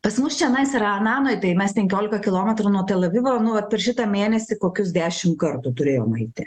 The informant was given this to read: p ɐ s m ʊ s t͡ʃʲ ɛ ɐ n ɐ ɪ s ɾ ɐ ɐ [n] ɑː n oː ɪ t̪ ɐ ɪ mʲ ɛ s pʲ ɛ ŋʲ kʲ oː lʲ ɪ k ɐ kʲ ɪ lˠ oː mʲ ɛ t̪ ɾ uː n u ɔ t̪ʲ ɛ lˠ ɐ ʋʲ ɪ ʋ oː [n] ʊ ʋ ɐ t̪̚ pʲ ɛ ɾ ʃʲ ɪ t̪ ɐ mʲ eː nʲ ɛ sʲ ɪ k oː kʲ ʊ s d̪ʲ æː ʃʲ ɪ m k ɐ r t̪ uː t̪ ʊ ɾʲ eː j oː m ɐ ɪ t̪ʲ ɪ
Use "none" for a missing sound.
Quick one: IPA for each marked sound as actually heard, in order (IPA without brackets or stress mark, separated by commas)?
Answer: n, n